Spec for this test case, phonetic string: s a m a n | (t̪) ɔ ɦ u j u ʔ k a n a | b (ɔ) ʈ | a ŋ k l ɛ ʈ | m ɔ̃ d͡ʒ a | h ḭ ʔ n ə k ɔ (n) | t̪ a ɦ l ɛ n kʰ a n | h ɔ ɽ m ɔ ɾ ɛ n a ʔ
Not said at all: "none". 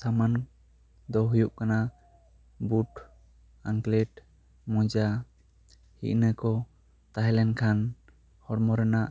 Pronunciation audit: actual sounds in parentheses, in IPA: d̪, u, none

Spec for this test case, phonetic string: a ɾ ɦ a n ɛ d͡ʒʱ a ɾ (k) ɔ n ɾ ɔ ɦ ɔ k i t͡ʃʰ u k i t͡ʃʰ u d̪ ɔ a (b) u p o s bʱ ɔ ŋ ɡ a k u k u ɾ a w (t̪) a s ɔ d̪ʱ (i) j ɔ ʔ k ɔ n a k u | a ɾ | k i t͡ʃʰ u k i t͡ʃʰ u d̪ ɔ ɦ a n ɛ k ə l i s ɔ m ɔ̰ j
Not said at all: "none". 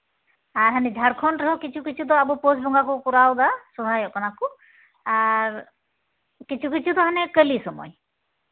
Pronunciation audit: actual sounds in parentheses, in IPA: kʰ, b, d̪, a

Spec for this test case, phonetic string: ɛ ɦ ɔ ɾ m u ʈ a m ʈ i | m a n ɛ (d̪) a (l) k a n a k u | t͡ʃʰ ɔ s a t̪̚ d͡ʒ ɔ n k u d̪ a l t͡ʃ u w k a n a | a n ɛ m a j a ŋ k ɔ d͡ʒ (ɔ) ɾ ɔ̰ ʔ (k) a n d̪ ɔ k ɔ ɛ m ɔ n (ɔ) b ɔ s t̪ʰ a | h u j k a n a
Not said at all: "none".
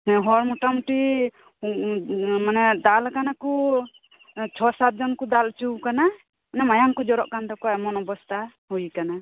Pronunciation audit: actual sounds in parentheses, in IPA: d̪, l, ɔ, k, ɔ

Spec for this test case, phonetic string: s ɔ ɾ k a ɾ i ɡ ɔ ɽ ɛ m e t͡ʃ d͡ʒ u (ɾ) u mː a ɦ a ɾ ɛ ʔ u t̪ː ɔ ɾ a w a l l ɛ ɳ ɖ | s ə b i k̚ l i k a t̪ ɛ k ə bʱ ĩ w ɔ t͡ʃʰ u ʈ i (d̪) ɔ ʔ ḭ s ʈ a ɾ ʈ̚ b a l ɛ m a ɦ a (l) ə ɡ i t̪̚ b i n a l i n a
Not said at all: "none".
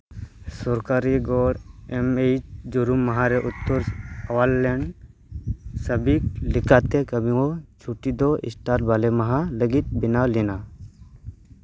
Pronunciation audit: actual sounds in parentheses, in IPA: ɾ, d̪, l

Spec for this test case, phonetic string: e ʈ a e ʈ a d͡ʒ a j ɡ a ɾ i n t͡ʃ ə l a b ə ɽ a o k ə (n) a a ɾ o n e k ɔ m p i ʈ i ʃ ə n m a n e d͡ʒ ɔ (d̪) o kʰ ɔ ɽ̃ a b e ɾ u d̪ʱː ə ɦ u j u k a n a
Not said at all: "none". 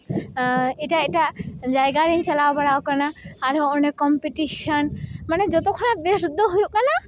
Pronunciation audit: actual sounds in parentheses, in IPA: n, t̪

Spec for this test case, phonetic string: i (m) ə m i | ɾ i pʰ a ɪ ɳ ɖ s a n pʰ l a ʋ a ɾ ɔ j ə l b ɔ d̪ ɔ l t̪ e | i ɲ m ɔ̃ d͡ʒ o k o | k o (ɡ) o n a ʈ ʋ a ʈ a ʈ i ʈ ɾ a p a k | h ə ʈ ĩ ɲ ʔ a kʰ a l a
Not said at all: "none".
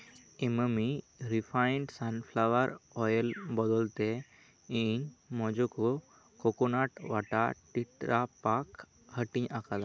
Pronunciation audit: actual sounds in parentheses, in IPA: m, k

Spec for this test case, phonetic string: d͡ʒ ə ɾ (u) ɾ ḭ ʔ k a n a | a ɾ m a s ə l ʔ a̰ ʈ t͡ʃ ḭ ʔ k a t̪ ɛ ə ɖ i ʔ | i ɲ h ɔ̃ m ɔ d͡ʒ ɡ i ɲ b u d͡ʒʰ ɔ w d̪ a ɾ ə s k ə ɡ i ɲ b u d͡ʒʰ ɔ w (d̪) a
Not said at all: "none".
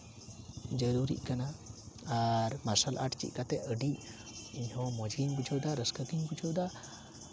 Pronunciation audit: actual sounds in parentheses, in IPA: u, d̪

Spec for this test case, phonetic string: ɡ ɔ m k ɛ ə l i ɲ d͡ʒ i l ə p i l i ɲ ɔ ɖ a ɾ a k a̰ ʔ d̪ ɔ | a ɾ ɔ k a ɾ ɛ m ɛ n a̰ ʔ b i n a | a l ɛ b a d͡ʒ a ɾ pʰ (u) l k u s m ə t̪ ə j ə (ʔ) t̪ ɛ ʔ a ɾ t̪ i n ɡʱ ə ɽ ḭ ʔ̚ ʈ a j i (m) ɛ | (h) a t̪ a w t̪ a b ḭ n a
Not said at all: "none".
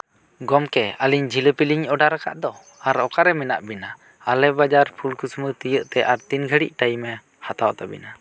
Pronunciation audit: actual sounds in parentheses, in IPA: u, ʔ, m, h

